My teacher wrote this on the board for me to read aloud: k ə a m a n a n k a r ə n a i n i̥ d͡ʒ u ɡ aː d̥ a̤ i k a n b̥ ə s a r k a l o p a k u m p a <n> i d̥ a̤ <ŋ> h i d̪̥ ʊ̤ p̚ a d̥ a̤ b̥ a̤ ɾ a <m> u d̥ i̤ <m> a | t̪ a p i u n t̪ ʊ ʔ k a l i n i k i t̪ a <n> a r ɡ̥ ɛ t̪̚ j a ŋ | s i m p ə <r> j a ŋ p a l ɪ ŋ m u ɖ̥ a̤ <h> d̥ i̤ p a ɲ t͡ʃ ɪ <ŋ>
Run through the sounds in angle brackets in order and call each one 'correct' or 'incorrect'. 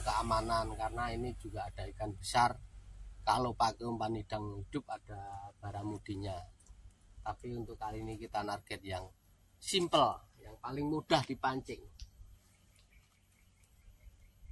correct, correct, correct, incorrect: ɲ, correct, incorrect: l, correct, correct

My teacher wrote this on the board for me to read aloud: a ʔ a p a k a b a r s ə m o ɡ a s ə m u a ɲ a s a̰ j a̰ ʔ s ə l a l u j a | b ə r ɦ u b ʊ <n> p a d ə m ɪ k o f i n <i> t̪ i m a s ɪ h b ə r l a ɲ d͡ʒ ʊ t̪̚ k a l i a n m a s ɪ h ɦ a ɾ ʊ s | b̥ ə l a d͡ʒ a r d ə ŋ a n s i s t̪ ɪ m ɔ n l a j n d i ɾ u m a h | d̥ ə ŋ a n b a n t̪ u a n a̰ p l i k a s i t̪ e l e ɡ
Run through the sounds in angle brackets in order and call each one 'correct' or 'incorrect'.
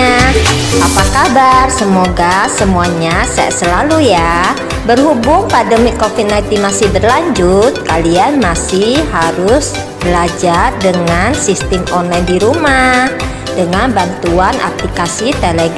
incorrect: ŋ, incorrect: a

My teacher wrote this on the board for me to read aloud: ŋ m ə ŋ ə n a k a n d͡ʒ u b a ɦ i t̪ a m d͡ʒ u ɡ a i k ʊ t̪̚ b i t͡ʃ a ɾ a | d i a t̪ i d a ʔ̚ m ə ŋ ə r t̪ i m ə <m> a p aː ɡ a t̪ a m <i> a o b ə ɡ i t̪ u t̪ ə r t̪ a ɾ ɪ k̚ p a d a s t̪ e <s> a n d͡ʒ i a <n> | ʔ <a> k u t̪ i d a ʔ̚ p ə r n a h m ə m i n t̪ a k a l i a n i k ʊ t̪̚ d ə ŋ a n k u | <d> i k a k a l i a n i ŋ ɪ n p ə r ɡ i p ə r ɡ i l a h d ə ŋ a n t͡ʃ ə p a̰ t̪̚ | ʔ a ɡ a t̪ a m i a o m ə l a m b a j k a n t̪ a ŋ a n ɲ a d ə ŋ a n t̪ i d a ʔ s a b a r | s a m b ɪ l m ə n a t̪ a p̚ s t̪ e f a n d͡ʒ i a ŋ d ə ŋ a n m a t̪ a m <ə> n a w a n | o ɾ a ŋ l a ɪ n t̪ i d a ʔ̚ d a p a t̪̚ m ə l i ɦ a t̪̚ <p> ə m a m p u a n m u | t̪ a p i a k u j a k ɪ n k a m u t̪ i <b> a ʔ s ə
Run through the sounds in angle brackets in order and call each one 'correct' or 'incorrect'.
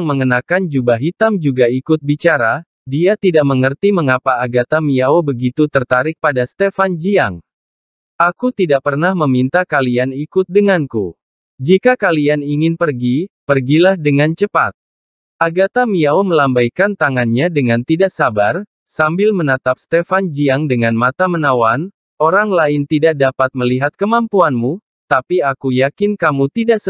incorrect: ŋ, correct, incorrect: f, incorrect: ŋ, correct, incorrect: d͡ʒ, correct, incorrect: k, incorrect: d

